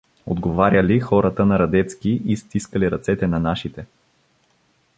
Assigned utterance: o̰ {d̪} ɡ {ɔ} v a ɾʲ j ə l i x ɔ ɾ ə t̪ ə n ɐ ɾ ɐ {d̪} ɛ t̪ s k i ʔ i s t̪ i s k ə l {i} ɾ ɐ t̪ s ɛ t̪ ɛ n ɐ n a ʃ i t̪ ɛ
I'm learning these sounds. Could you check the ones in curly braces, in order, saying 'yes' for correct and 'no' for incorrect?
yes, no, yes, yes

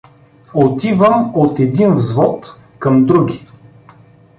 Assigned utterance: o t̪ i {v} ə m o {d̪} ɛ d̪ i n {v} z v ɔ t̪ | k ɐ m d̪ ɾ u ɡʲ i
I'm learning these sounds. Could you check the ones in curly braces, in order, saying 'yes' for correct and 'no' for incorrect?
yes, no, yes

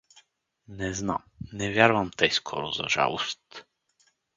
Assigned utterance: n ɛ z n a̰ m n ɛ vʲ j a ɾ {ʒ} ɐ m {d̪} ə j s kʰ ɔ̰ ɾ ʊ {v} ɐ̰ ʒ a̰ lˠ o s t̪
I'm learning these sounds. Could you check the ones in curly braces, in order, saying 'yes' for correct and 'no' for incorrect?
no, no, no

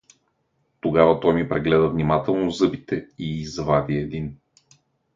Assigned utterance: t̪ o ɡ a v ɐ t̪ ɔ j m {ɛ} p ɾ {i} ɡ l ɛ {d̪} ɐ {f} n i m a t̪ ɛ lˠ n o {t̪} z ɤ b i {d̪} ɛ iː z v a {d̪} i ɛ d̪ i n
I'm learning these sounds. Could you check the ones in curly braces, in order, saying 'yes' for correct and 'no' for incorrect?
no, no, yes, no, no, no, yes

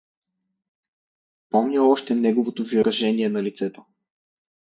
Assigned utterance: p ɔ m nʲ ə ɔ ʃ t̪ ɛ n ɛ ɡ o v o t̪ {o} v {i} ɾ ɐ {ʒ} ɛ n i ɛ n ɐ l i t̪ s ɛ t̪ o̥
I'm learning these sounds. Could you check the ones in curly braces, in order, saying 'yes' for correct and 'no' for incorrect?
yes, yes, yes

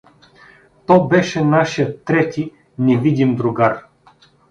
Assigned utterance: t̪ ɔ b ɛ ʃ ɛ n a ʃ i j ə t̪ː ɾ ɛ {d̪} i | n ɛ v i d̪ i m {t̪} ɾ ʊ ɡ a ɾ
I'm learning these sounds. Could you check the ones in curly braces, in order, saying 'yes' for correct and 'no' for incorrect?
no, no

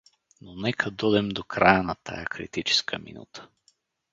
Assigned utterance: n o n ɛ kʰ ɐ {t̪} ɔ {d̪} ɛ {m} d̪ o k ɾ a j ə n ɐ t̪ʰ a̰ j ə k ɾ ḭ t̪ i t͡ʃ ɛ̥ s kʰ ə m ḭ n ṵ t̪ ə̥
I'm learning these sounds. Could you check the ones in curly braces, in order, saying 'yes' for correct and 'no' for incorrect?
no, yes, yes

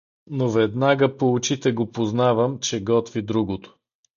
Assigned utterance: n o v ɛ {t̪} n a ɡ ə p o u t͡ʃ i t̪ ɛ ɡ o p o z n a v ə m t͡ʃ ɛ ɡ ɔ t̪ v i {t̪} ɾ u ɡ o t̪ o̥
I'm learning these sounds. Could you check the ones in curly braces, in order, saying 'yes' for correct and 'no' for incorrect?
no, no

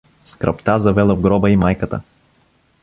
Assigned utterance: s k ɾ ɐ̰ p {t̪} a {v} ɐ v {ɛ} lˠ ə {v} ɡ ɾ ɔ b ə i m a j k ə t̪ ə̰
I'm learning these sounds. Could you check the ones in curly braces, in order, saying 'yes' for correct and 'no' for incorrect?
yes, no, yes, yes

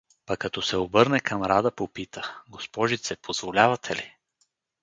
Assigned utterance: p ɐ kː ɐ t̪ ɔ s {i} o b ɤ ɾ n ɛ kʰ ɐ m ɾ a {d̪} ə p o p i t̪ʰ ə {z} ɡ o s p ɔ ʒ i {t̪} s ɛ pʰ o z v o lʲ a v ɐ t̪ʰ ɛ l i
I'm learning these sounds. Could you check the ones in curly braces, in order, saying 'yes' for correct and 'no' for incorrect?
no, yes, no, yes

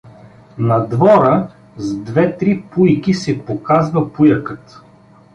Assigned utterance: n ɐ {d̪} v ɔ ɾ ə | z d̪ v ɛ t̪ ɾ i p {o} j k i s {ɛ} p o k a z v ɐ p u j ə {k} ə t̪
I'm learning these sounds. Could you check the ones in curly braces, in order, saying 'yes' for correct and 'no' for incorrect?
yes, no, yes, yes

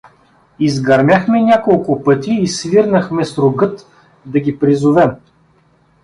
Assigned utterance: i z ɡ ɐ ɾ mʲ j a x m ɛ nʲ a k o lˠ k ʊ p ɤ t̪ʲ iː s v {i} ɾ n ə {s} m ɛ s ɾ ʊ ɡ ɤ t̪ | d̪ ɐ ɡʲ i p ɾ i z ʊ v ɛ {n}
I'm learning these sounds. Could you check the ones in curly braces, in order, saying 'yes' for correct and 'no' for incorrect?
yes, no, no

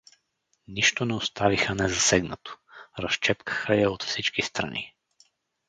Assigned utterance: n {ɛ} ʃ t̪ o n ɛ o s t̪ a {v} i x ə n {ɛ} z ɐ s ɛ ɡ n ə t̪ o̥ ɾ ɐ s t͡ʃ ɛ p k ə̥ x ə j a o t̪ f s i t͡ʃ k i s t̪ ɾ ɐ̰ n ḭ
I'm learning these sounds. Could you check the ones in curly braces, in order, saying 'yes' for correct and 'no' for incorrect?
no, yes, yes

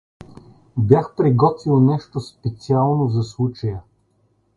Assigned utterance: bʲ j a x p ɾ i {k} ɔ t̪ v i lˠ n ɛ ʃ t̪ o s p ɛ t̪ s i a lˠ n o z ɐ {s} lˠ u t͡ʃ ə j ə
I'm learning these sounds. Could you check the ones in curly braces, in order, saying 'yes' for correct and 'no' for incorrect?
no, yes

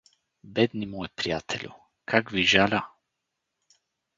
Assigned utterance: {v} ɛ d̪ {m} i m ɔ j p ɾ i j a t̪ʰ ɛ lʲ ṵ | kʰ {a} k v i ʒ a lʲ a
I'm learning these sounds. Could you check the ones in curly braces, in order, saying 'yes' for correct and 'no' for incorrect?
no, no, yes

